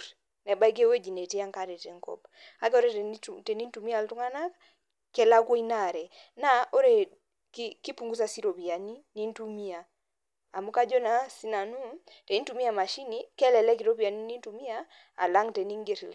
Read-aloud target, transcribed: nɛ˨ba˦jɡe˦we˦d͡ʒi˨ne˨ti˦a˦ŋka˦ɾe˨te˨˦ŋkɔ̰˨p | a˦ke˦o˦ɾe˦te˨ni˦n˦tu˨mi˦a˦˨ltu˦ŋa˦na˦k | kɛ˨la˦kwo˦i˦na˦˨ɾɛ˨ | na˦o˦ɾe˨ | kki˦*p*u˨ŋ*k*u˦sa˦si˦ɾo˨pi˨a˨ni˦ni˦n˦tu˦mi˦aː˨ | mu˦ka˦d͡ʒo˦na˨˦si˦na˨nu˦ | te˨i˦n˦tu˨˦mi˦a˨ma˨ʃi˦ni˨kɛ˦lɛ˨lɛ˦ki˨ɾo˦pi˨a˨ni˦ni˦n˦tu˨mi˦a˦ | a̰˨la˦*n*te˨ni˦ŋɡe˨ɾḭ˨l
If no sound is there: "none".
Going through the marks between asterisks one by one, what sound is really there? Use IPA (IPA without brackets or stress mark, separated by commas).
p, ɡ, ŋ